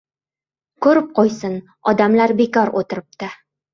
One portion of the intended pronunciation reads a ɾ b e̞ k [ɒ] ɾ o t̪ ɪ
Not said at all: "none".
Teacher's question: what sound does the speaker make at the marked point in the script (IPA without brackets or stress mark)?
ɒ